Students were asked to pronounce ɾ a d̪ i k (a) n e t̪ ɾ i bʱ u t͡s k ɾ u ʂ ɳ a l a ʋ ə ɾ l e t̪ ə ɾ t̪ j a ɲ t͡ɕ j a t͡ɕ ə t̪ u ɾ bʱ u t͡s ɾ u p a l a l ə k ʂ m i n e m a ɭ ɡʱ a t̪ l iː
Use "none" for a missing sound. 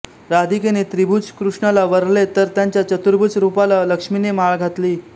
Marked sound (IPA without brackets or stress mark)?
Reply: e